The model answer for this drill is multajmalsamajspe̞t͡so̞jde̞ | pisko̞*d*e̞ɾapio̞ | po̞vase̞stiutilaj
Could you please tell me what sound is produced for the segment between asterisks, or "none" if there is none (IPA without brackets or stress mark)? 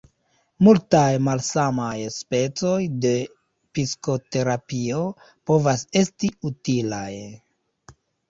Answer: t